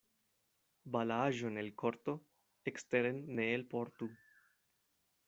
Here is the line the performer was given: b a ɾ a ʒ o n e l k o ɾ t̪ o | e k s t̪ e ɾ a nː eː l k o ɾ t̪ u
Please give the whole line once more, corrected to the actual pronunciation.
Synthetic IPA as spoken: b a l a ʒ o n e l k o ɾ t̪ o | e k s t̪ e ɾ e nː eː l p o ɾ t̪ u